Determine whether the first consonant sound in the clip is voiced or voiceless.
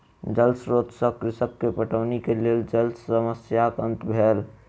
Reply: voiced